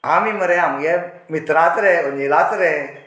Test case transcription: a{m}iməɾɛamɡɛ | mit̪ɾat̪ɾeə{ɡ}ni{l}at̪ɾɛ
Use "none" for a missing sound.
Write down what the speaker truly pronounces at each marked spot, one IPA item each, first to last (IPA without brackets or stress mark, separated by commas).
m, none, l